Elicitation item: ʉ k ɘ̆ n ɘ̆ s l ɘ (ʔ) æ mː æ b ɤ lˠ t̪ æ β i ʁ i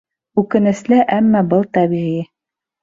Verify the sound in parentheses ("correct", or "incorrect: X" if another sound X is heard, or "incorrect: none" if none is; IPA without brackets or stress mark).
correct